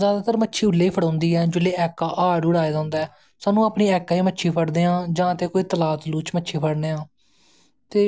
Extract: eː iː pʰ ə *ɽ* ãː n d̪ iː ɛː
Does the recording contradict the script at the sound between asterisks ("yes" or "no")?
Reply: no